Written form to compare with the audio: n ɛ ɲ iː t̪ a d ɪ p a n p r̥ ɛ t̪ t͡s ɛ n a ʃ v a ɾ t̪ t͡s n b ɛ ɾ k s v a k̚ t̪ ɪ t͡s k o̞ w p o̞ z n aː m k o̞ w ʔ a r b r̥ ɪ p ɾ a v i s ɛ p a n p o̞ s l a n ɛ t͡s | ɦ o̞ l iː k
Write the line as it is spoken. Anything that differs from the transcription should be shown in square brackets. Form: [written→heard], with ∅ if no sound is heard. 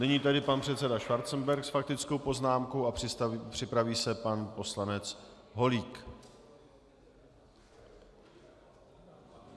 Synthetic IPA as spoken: n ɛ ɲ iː t̪ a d ɪ p a n p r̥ ɛ t̪ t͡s ɛ [n→d] a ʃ v a ɾ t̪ t͡s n b ɛ ɾ k s [v→f] a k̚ t̪ ɪ t͡s k o̞ w p o̞ z n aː m k o̞ w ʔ a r [b→p] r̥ ɪ p ɾ a v [i→iː] s ɛ p a n p o̞ s l a n ɛ t͡s | ɦ o̞ l iː k